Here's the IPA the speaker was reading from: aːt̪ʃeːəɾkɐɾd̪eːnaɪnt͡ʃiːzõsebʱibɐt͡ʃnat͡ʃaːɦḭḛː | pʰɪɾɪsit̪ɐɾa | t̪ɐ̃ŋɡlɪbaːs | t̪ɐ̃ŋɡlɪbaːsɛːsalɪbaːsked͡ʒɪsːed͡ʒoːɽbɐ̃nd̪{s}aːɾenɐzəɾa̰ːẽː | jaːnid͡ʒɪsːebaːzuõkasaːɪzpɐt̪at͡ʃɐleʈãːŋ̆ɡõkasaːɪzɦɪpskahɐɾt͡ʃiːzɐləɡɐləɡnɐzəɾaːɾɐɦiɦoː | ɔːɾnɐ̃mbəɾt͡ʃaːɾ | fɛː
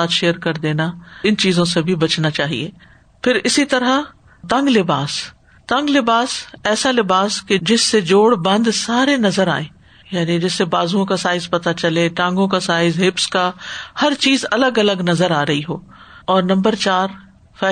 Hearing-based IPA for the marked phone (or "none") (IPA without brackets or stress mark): s